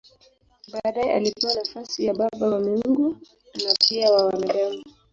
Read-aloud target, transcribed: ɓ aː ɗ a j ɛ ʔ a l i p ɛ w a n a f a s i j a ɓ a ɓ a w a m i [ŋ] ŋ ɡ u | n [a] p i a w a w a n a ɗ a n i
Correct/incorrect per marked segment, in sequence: correct, correct

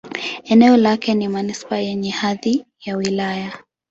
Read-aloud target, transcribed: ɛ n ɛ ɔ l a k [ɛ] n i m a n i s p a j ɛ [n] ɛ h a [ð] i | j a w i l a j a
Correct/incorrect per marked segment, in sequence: correct, incorrect: ɲ, correct

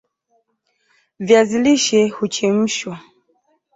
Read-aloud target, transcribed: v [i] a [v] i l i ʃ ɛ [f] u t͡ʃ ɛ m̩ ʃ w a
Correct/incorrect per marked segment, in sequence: incorrect: j, incorrect: z, incorrect: h

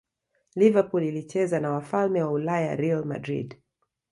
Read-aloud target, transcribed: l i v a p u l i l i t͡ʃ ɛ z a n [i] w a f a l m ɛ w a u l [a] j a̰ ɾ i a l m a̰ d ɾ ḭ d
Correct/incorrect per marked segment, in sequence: incorrect: a, correct

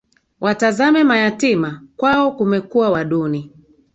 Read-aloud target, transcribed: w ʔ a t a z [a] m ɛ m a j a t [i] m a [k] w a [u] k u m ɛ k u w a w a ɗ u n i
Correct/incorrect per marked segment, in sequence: correct, correct, correct, incorrect: ɔ

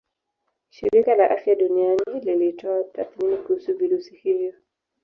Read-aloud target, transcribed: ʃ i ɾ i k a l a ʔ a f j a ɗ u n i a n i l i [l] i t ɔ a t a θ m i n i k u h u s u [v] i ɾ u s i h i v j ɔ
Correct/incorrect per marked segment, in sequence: correct, correct

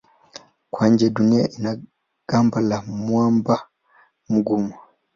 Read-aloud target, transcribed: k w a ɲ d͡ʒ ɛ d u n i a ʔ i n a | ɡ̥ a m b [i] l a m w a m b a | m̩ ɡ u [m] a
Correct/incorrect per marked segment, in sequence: incorrect: a, correct

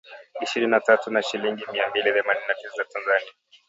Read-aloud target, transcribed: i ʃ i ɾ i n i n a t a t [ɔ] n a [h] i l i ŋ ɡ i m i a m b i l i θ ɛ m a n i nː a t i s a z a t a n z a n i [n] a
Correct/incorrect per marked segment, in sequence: incorrect: u, incorrect: ʃ, incorrect: none

